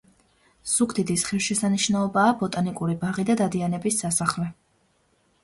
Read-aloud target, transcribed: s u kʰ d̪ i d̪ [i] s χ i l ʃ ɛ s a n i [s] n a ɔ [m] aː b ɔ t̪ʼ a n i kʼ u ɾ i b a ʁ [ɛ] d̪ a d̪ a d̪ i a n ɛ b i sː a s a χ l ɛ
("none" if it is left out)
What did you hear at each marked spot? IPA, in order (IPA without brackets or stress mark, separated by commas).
i, ʃ, b, i